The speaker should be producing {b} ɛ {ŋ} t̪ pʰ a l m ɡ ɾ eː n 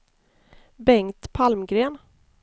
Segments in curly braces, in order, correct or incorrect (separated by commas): correct, correct